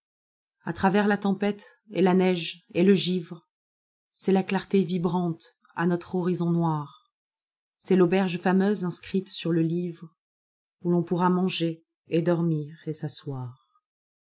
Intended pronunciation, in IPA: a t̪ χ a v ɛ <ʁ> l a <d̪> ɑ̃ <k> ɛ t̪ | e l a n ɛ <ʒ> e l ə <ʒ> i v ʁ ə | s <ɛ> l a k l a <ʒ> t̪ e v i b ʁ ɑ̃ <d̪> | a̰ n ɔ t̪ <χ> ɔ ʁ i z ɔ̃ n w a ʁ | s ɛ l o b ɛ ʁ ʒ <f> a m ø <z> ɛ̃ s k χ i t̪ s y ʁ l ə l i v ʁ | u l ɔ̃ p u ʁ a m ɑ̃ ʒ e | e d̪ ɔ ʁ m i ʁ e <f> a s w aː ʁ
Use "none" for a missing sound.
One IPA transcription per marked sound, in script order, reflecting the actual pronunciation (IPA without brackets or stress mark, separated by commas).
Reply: ʁ, t̪, p, ʒ, ʒ, ɛ, ʁ, t̪, χ, f, z, s